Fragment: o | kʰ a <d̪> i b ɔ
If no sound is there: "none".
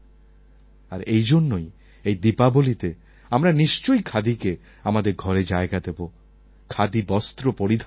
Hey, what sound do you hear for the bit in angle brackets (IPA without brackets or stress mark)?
d̪